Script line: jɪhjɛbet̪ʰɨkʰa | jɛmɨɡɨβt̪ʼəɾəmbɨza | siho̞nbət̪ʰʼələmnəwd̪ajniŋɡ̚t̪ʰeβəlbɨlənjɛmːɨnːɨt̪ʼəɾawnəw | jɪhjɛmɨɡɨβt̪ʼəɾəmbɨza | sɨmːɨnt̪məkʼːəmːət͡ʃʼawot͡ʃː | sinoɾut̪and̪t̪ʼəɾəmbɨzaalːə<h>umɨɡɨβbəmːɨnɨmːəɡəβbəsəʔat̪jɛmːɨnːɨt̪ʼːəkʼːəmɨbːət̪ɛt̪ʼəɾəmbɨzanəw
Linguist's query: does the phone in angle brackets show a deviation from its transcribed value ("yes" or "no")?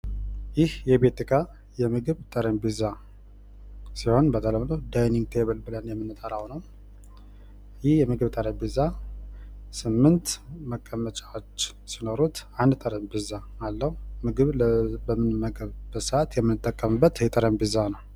no